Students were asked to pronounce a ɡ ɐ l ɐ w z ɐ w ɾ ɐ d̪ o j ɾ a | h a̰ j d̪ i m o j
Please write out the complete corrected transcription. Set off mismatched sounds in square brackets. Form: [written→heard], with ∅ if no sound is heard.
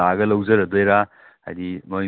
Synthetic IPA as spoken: a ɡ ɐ l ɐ w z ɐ [w→∅] ɾ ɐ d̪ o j ɾ a | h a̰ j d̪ i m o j